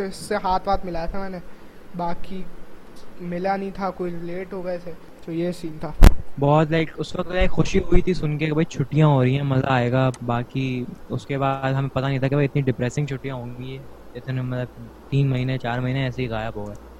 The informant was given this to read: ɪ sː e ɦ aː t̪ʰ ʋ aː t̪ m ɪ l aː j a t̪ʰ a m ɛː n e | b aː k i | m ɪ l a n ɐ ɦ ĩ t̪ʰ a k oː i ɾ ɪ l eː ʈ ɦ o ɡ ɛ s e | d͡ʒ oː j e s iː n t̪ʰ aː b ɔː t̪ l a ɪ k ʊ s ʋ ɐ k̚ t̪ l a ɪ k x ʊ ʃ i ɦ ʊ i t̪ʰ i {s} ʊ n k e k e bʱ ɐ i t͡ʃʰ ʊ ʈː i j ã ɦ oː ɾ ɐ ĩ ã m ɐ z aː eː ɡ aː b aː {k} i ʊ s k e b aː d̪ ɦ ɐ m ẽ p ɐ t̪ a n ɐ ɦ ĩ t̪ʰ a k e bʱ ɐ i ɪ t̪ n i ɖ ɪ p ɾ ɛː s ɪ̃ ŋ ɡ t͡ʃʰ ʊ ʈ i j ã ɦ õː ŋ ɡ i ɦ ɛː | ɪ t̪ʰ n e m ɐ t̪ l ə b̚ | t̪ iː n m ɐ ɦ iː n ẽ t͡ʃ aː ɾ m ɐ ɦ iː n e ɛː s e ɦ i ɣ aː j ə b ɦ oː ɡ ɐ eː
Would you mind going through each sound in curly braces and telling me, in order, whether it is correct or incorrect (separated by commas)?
correct, correct